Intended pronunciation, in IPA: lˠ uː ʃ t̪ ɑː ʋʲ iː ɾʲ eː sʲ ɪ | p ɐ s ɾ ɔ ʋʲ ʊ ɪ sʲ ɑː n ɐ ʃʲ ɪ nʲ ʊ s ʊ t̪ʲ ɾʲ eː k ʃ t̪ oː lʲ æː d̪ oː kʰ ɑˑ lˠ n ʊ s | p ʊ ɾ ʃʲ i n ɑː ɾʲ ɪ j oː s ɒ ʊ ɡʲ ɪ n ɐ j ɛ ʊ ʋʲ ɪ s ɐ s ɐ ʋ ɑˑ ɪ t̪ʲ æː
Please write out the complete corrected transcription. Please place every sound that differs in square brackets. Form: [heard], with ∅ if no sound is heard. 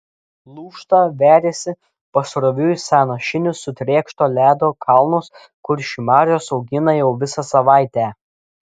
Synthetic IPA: lˠ uː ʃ t̪ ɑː ʋʲ [æː] ɾʲ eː sʲ ɪ | p ɐ s ɾ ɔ ʋʲ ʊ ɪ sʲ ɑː n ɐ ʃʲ ɪ nʲ ʊ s ʊ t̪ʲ ɾʲ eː k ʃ t̪ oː lʲ æː d̪ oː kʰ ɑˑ lˠ n ʊ s | [k] ʊ ɾ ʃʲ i [m] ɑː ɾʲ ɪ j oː s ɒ ʊ ɡʲ ɪ n ɐ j ɛ ʊ ʋʲ ɪ s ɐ s ɐ ʋ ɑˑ ɪ t̪ʲ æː